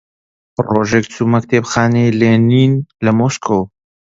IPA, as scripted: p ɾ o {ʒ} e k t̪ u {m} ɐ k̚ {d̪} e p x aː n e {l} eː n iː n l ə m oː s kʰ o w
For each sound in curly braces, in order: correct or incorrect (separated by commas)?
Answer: correct, correct, incorrect, correct